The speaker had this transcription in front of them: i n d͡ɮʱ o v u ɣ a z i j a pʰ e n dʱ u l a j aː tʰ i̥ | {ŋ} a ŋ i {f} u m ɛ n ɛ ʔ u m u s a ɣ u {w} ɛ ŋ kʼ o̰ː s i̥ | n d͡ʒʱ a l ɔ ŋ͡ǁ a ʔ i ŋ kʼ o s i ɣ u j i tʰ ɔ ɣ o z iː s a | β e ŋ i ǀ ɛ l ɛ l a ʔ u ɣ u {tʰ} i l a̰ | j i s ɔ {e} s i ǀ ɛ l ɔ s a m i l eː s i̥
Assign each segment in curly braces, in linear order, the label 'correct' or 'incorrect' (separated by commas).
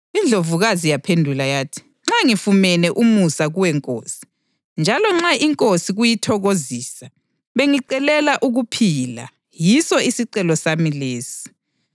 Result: incorrect, correct, correct, incorrect, incorrect